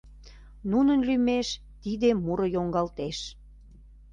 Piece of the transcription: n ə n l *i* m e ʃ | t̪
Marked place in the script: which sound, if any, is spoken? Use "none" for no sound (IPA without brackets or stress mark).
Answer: y